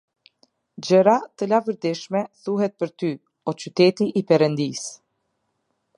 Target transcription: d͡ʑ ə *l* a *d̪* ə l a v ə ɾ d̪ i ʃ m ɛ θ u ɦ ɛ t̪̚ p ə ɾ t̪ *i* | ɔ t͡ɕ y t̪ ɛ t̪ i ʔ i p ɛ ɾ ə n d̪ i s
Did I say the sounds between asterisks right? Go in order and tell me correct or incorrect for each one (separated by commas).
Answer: incorrect, incorrect, incorrect